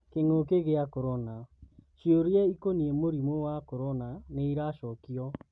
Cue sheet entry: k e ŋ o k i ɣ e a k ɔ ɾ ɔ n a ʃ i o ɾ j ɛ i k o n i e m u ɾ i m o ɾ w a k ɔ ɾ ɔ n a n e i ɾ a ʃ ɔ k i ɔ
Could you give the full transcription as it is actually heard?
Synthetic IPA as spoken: k e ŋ o k e ɣ e a k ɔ ɾ ɔ n a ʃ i o ɾ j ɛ i k o n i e m o ɾ i m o w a k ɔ ɾ ɔ n a n e i ɾ a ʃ ɔ k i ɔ